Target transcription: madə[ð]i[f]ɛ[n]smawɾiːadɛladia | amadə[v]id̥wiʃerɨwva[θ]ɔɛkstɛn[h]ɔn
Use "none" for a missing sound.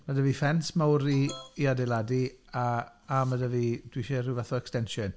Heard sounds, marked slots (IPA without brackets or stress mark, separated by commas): v, f, n, v, θ, ʃ